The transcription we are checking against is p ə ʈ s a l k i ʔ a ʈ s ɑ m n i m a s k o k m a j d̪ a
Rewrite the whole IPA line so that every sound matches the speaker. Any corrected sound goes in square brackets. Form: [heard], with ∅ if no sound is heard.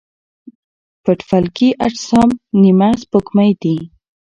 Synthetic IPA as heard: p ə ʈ [f] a l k i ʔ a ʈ s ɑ m n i m a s [p] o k m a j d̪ [i]